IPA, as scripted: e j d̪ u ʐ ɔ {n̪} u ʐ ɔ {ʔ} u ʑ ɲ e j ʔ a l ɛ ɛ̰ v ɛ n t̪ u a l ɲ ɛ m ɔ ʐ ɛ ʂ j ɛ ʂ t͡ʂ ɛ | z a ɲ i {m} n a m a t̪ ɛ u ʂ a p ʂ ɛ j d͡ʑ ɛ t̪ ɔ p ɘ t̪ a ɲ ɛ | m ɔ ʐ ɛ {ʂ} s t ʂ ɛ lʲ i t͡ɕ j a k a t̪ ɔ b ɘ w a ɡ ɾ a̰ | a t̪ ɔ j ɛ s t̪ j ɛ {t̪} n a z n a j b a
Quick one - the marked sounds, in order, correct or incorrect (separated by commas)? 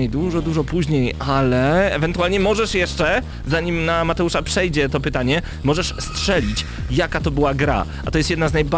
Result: incorrect, incorrect, correct, correct, incorrect